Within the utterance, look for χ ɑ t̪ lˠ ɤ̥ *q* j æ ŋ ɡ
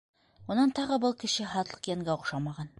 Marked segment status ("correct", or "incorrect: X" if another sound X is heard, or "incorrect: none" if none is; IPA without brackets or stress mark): correct